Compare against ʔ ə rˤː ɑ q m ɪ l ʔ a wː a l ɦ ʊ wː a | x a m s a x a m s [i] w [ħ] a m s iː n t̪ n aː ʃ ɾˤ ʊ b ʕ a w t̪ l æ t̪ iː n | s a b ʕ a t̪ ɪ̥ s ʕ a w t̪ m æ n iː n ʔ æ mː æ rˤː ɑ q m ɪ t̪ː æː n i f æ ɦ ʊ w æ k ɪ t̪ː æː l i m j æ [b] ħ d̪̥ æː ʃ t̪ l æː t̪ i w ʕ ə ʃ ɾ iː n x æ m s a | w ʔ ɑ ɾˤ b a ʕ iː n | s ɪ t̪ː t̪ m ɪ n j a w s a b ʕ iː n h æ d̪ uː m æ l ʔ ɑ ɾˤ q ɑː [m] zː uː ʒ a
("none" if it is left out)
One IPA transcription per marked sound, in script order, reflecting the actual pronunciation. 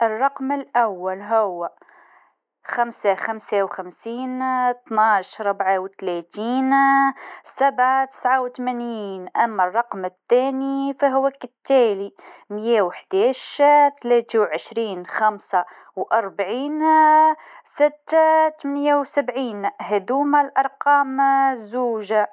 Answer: a, x, w, m

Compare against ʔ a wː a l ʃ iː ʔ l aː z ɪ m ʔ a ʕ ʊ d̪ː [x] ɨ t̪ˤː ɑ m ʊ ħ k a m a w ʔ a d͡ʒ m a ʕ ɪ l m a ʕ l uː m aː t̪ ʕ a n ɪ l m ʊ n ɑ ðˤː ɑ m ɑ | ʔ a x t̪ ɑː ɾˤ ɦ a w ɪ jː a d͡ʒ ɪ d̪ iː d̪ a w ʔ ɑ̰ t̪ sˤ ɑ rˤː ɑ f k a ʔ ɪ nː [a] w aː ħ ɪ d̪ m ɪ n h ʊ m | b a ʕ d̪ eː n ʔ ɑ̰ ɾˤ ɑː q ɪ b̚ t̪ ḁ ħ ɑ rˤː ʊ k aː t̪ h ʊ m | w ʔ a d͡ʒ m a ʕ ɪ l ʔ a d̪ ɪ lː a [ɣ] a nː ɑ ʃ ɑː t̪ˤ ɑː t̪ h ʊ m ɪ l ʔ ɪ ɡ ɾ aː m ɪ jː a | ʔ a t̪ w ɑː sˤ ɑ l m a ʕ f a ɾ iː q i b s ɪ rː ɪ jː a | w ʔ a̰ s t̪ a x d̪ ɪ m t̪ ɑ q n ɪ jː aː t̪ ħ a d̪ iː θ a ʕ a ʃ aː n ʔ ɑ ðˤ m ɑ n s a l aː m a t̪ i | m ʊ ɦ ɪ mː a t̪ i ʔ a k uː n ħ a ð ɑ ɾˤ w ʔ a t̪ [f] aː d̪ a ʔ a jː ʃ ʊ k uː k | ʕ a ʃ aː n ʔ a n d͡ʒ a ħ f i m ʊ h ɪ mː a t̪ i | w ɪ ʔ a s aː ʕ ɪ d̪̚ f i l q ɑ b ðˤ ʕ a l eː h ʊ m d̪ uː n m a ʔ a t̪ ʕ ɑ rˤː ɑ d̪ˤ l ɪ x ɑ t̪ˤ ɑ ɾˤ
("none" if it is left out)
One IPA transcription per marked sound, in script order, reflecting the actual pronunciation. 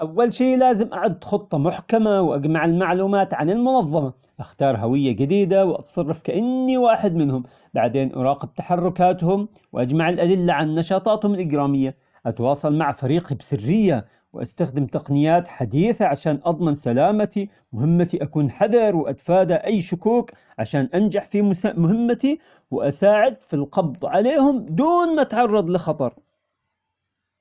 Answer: x, i, ʕ, f

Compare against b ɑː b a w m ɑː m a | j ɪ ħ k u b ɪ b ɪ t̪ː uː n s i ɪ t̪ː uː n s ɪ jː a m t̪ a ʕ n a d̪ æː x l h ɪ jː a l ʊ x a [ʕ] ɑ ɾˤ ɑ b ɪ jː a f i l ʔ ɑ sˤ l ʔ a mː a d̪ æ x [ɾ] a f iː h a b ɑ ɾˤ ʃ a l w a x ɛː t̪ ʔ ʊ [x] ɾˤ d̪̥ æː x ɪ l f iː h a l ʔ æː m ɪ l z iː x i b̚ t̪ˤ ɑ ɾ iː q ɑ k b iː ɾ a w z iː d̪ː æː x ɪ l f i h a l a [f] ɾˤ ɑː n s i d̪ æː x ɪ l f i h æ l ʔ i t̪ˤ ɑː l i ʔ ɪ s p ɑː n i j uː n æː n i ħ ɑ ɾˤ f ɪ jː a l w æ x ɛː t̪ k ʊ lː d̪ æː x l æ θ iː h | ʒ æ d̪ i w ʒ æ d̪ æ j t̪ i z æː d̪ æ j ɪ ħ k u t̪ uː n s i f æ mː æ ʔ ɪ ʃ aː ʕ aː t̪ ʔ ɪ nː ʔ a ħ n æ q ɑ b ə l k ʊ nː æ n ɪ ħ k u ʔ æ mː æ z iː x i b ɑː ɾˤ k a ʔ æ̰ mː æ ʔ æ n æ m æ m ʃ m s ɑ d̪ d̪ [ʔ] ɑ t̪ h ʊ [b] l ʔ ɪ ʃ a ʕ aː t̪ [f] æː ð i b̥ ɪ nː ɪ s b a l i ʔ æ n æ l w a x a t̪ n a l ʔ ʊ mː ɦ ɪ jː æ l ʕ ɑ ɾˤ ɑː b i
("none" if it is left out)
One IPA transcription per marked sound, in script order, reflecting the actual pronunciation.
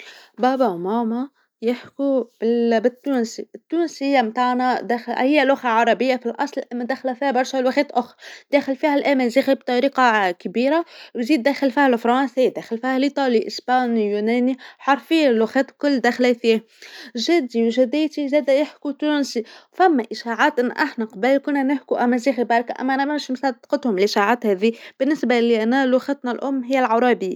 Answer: ʕ, l, x, f, q, m, h

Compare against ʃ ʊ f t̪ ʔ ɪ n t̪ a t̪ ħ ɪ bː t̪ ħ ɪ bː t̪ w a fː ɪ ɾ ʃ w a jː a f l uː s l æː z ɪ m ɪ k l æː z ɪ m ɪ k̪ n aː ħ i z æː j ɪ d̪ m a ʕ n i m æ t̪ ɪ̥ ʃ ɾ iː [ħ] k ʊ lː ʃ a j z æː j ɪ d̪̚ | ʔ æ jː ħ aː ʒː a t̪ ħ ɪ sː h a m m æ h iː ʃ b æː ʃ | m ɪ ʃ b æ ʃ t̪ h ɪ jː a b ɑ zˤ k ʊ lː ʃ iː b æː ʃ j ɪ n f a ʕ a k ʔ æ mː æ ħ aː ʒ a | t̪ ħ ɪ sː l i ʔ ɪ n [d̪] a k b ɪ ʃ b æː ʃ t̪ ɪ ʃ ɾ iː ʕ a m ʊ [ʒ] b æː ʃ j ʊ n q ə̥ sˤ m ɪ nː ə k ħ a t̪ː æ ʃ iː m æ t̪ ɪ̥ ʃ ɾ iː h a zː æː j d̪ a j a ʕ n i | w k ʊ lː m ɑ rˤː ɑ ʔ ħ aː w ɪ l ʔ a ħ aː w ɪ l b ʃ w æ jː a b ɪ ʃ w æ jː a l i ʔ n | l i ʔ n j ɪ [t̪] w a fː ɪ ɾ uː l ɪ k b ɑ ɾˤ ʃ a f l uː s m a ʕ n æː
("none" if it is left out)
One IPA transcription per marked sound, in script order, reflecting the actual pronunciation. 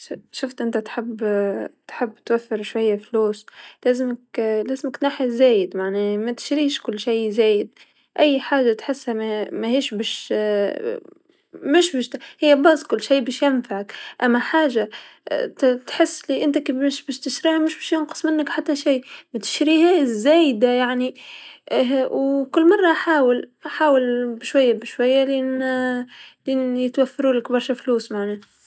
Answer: ʃ, t̪, ʃ, t̪

